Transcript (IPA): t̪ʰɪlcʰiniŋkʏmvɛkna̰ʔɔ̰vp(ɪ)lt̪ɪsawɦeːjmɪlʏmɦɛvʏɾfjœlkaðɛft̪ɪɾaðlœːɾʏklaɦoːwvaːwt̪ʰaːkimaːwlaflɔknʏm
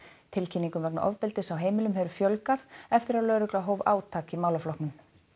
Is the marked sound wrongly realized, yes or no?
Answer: no